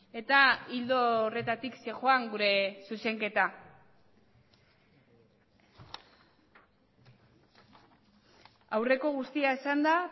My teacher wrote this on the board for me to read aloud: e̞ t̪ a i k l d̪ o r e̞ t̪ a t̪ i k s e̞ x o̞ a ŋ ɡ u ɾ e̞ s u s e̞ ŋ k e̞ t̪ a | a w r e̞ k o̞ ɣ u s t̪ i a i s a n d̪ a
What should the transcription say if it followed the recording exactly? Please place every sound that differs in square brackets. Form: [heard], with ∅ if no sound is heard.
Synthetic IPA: e̞ t̪ a i [∅] l d̪ o r e̞ t̪ a t̪ i k s e̞ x o̞ a ŋ ɡ u ɾ e̞ s u s e̞ ŋ k e̞ t̪ a | a w r e̞ k o̞ ɣ u s t̪ i a [e] s a n d̪ a